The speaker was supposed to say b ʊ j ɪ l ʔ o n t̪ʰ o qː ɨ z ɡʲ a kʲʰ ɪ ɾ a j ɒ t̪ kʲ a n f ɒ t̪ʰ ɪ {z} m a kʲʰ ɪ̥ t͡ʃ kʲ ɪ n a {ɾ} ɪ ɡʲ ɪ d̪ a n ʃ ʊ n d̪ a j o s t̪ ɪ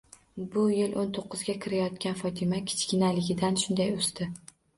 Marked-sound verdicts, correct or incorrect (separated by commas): incorrect, incorrect